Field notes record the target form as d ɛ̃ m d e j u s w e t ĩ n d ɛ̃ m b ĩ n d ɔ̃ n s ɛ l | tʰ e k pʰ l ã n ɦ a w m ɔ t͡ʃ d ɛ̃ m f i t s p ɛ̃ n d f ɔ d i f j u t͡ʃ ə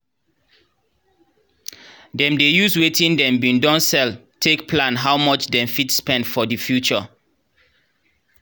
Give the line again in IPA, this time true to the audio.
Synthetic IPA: d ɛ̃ m d e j u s w e t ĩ n d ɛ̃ m b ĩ n d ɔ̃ n s ɛ l | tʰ e k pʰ l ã n ɦ a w m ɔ t͡ʃ d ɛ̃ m f i t s p ɛ̃ n d f ɔ d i f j u t͡ʃ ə